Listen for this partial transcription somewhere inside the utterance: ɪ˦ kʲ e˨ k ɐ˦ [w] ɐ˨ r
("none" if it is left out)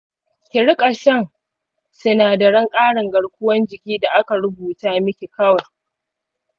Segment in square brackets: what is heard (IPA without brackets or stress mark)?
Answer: w